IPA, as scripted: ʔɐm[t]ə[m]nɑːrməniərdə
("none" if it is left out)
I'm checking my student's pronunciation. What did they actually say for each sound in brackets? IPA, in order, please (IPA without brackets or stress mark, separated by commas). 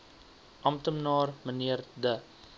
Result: t, m